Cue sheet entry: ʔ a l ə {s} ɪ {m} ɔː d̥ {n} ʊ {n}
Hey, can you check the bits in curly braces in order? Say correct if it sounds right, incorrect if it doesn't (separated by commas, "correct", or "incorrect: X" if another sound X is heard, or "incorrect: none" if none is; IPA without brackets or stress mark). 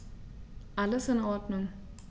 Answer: correct, incorrect: n, correct, incorrect: ŋ